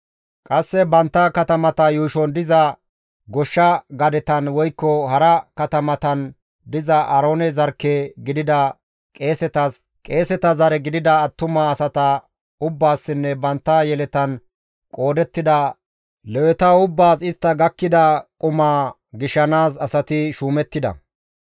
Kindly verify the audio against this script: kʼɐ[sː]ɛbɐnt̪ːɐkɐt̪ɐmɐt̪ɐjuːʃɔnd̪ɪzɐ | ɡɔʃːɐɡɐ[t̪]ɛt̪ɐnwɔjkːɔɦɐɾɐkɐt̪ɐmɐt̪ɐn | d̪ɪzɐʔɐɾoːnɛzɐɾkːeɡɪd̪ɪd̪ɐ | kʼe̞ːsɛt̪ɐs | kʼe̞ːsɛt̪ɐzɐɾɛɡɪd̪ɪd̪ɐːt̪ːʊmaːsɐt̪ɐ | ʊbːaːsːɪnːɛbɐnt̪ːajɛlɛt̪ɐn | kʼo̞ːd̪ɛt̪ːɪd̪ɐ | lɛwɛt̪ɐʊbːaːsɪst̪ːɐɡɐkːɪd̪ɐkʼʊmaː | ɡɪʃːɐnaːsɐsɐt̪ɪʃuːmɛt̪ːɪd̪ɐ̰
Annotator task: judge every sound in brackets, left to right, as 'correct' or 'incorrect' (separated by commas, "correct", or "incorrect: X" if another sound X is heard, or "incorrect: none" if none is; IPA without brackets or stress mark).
correct, incorrect: d̪